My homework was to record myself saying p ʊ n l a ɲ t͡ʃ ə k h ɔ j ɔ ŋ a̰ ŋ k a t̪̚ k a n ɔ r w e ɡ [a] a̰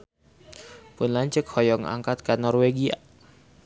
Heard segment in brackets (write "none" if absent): i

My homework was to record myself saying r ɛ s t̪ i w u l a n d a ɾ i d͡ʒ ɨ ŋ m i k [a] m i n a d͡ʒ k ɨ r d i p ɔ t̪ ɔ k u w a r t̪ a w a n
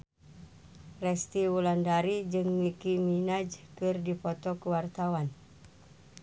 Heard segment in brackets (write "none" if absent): i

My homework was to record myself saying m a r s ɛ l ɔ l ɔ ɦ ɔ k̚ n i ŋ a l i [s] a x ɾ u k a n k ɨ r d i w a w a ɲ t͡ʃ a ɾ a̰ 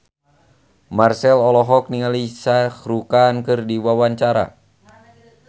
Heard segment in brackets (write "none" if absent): s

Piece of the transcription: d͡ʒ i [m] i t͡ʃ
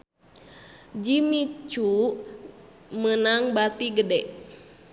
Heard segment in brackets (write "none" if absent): m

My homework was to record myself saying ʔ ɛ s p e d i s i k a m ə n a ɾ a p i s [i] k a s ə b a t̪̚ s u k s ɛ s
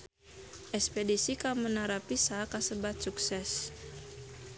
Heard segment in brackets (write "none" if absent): a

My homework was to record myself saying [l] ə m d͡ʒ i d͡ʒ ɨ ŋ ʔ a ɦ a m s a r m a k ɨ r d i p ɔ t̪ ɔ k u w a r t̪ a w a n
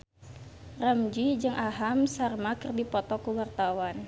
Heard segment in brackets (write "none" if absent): r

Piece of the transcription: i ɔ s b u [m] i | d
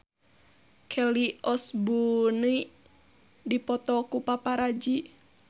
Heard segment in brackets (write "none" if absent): n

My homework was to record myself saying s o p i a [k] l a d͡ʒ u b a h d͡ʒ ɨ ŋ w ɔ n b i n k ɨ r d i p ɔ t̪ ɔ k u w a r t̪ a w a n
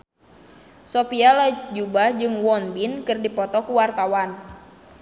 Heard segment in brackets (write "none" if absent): none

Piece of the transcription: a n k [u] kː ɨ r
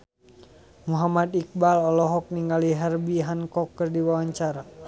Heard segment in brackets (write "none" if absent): ɔ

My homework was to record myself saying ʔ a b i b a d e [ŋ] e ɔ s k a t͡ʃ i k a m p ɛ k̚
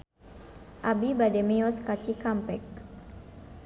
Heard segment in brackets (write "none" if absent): m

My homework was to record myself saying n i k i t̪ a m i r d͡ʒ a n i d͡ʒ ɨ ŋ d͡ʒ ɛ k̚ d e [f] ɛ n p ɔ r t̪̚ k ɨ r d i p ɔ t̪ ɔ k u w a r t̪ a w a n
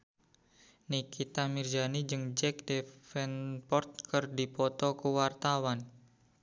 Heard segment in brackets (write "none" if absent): f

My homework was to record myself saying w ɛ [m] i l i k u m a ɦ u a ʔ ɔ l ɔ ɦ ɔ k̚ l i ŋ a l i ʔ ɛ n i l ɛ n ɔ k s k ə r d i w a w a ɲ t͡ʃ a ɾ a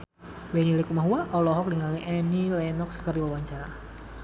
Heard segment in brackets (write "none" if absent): n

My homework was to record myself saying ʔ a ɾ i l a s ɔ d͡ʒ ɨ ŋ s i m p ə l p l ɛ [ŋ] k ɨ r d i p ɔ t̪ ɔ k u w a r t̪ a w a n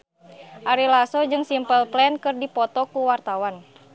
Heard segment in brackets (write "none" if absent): n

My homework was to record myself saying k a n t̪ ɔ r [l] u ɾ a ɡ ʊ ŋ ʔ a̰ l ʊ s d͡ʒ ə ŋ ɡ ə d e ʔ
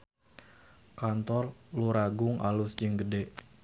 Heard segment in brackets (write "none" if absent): l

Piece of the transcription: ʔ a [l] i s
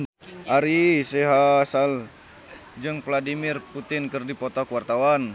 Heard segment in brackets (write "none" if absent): ɾ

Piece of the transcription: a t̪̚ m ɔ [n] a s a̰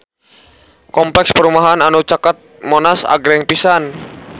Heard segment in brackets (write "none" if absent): n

